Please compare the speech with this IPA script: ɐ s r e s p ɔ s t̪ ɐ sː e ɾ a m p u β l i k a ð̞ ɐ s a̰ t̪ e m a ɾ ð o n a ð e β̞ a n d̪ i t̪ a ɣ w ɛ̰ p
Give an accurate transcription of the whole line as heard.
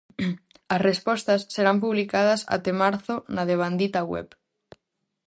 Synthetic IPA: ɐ s r e s p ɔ s t̪ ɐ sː e ɾ a m p u β l i k a ð̞ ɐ s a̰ t̪ e m a ɾ θ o n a ð e β̞ a n d̪ i t̪ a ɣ w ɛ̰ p